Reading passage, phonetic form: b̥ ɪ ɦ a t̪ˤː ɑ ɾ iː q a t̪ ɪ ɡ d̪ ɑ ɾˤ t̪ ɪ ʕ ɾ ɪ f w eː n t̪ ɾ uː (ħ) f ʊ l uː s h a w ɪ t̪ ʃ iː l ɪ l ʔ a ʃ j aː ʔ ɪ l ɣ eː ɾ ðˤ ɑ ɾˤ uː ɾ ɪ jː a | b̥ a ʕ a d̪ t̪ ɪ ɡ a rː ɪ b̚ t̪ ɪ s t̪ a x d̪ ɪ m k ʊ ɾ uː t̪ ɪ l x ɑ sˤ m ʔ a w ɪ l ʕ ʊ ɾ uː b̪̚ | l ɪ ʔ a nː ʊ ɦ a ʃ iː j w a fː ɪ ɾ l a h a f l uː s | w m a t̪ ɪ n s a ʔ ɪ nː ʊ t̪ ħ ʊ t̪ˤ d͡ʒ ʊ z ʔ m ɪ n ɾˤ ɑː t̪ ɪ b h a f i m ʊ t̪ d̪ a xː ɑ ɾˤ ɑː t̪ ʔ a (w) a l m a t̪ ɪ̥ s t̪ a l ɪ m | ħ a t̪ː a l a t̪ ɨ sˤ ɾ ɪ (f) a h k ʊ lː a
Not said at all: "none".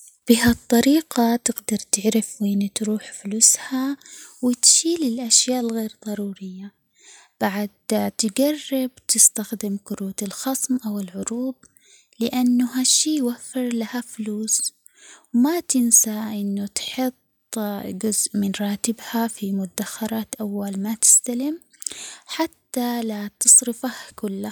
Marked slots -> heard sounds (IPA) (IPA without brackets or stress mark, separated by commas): ħ, wː, f